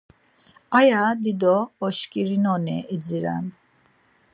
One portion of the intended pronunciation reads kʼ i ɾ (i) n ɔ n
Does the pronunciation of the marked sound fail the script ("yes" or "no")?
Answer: no